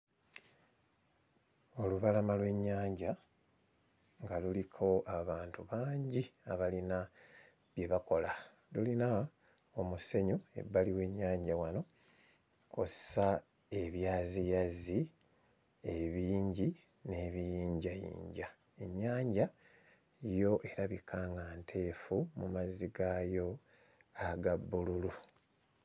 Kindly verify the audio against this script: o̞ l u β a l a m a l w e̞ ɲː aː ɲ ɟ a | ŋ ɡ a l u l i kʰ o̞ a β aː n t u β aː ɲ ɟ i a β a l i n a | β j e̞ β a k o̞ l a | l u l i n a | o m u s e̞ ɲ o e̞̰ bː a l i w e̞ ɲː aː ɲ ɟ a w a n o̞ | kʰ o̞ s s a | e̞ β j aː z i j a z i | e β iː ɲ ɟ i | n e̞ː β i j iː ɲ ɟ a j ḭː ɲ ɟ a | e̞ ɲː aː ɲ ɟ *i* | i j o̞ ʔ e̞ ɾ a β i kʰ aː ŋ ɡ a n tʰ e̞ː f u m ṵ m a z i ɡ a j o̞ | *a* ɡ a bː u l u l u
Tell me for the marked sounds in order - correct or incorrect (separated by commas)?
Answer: incorrect, correct